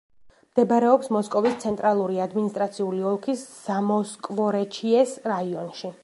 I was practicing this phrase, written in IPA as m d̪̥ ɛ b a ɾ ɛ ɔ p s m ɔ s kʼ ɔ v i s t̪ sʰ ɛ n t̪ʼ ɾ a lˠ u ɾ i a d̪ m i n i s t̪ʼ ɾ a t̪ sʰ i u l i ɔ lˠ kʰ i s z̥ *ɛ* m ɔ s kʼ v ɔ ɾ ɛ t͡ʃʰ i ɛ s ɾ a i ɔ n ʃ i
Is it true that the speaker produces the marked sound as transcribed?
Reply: no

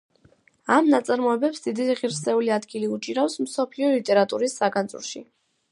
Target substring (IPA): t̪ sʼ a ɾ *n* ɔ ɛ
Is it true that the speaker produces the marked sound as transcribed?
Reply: no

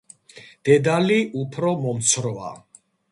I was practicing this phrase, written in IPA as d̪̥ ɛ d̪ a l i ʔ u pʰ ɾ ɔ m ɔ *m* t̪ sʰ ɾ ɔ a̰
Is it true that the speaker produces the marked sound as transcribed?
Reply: yes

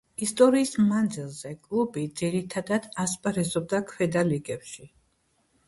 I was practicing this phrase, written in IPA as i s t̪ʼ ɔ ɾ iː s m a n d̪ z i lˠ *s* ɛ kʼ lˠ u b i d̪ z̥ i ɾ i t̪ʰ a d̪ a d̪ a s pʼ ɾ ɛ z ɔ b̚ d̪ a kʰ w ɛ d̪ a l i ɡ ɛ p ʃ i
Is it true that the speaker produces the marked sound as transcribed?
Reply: no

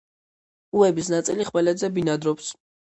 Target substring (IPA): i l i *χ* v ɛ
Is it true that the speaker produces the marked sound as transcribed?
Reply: yes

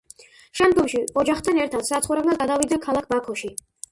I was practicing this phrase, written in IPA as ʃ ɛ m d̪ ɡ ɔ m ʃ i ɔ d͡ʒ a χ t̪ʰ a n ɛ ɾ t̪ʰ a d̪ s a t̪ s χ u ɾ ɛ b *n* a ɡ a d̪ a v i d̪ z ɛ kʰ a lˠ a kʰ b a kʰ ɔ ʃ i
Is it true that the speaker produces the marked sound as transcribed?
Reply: yes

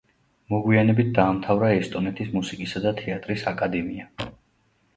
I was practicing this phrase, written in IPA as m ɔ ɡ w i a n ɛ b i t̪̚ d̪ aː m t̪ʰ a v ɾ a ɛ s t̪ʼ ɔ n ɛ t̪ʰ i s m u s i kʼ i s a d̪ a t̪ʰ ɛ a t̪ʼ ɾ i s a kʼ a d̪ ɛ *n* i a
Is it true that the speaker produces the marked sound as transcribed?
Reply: no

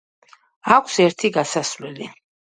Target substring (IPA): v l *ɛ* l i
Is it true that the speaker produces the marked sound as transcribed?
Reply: yes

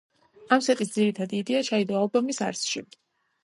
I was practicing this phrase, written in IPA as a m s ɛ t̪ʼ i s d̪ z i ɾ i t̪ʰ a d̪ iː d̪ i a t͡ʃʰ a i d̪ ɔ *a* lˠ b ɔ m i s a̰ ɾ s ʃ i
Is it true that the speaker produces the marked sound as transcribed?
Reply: yes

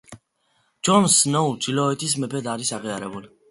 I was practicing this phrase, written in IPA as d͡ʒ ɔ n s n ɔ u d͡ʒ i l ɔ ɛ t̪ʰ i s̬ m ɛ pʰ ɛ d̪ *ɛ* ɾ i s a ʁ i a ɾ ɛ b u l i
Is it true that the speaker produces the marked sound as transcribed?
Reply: no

